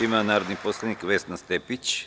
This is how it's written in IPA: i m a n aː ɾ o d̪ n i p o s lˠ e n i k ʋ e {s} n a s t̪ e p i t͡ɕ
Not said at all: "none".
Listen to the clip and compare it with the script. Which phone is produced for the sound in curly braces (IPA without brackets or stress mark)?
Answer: s